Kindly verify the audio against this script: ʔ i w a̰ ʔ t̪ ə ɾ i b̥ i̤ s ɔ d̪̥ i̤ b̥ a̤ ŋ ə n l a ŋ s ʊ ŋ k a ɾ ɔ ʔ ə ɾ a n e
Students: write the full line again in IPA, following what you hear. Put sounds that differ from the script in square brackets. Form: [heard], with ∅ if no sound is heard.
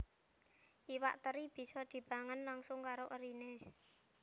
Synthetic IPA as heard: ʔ i w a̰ ʔ t̪ ə ɾ i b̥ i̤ s ɔ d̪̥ i̤ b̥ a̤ ŋ ə n l a ŋ s ʊ ŋ k a ɾ [o] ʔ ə ɾ [i] n e